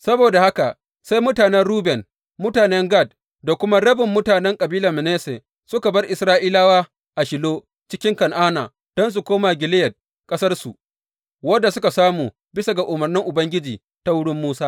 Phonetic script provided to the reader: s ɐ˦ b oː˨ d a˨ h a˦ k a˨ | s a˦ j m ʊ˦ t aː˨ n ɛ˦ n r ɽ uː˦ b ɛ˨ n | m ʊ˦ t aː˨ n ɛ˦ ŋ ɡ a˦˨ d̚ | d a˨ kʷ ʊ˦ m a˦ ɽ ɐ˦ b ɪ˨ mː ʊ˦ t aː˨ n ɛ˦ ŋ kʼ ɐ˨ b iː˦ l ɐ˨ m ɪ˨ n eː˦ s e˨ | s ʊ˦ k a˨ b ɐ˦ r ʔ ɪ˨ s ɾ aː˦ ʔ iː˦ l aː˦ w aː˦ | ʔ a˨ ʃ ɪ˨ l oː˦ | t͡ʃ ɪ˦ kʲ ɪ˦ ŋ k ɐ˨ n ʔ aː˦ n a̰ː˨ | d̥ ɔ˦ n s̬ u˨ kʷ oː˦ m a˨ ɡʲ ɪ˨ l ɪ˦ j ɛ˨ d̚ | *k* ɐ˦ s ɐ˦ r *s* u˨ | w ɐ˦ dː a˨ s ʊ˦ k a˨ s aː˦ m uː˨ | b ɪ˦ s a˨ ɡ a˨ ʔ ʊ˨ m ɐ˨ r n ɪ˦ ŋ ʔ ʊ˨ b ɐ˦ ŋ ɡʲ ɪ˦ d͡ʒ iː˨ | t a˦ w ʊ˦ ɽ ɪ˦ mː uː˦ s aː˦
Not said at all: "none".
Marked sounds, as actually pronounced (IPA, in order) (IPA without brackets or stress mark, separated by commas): kʼ, s